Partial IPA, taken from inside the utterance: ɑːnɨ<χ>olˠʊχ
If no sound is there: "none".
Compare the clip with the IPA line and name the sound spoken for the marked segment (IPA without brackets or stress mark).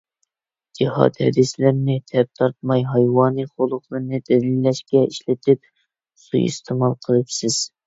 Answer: χ